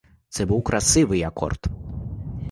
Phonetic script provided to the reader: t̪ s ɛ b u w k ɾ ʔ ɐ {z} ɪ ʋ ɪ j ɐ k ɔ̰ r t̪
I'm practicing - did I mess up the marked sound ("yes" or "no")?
yes